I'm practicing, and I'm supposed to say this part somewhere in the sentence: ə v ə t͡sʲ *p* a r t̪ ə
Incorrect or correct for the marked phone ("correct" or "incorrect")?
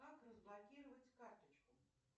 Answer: incorrect